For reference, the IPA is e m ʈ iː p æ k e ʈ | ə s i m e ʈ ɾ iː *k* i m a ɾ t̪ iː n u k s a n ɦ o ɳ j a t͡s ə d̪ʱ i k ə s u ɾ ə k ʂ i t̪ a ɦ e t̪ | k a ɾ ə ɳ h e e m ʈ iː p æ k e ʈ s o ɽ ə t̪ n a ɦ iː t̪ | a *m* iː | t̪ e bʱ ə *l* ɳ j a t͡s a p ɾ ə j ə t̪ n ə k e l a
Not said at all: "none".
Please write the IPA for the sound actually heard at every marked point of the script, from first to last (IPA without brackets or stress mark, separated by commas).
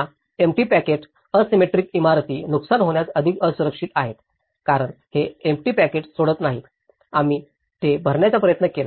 k, m, ɾ